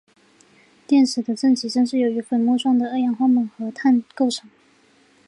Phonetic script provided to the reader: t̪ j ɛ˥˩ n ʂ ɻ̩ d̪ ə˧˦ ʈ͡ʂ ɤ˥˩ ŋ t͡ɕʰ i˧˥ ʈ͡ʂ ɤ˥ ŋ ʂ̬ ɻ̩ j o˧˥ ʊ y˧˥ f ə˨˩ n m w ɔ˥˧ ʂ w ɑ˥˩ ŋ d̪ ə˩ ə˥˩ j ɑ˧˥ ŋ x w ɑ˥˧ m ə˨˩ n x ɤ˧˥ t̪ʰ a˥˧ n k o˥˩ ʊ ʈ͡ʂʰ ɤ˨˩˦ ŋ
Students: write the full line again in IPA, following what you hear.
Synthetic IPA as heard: t̪ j ɛ˥˩ n ʂ ɻ̩ d̪ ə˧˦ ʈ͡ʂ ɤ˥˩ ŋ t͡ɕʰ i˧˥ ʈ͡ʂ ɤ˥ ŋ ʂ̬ ɻ̩ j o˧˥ ʊ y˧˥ f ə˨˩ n m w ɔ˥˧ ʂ w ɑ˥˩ ŋ d̪ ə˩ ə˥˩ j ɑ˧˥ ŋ x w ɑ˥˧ m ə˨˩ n x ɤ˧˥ t̪ʰ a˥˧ n k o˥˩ ʊ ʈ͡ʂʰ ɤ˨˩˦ ŋ